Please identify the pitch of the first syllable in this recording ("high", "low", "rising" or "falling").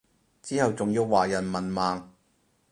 high